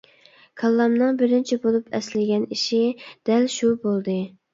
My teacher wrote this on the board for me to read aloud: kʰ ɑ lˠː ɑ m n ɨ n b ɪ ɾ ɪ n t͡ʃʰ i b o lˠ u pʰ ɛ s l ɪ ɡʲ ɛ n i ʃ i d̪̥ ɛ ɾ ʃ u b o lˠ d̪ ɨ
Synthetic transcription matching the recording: kʰ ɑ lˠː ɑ m n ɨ ŋ b ɪ ɾ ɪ n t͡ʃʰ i b o lˠ u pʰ ɛ s l ɪ ɡʲ ɛ n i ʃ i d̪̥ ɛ l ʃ u b o lˠ d̪ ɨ